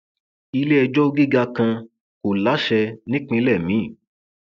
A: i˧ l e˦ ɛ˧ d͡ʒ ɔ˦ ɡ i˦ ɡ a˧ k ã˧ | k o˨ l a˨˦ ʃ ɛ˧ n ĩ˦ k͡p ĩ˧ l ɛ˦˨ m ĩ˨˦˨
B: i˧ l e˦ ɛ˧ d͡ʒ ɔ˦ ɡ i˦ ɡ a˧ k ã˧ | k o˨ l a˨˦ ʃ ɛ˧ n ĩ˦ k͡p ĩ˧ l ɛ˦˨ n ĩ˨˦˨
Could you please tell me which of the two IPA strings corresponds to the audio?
A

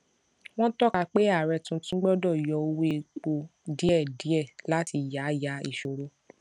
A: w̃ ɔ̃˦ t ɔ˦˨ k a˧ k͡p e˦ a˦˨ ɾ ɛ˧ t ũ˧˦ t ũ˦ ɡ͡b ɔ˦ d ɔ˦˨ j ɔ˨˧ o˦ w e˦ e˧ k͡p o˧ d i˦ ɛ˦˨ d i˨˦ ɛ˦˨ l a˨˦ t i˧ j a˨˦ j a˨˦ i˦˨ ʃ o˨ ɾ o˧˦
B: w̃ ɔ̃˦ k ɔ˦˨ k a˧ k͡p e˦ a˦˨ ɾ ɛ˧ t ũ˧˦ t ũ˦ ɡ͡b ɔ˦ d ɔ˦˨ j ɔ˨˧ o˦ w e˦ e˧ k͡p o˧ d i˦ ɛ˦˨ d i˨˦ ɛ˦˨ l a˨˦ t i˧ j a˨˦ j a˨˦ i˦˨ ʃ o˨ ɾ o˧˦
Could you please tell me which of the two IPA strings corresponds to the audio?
A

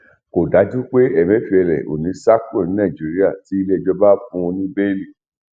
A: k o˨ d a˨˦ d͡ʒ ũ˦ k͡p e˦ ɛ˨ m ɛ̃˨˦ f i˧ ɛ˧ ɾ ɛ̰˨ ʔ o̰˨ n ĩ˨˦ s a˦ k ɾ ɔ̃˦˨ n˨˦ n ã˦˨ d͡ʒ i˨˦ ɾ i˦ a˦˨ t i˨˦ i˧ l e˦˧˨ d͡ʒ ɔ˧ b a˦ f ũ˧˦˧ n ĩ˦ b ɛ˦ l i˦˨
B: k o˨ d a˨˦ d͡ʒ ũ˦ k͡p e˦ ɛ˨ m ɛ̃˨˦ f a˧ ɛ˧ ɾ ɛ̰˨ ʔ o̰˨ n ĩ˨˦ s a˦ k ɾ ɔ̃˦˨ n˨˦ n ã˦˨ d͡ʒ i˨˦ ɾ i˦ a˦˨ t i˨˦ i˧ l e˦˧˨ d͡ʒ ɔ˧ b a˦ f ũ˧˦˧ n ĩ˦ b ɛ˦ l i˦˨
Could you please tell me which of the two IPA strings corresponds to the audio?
A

